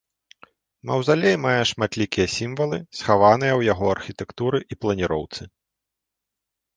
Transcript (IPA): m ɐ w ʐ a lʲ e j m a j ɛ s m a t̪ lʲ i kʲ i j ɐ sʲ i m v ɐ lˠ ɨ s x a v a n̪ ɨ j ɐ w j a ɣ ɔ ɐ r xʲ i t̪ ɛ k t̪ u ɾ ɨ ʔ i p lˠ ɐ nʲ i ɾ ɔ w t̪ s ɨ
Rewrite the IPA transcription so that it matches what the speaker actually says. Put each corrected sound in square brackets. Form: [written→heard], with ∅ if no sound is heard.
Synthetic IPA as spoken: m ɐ w [ʐ→z] a lʲ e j m a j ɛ [s→ʂ] m a t̪ lʲ i kʲ i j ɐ sʲ i m v ɐ lˠ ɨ s x a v a n̪ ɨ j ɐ w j a ɣ ɔ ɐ r xʲ i t̪ ɛ k t̪ u ɾ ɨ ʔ i p lˠ ɐ nʲ i ɾ ɔ w t̪ s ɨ